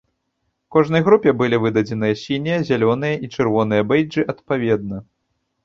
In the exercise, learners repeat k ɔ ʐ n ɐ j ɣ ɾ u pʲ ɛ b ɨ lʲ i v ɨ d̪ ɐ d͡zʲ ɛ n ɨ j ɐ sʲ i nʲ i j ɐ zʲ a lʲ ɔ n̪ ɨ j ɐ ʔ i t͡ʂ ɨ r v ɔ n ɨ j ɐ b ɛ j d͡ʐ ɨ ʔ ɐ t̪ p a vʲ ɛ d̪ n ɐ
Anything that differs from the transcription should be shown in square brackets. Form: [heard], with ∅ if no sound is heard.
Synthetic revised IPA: k ɔ ʐ n ɐ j ɣ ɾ u pʲ ɛ b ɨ lʲ i v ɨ d̪ ɐ d͡zʲ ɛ n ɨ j ɐ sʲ i nʲ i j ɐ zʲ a lʲ ɔ n̪ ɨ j ɐ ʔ i t͡ʂ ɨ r v ɔ n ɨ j ɐ b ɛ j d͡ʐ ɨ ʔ ɐ t̪ p a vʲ ɛ d̪ n ɐ